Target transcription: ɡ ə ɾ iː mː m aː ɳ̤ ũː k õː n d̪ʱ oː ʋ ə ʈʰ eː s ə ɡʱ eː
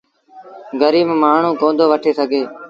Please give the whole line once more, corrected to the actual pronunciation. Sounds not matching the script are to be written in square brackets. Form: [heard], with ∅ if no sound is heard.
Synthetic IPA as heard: ɡ ə ɾ iː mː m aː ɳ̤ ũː k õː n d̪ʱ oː ʋ ə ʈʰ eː s ə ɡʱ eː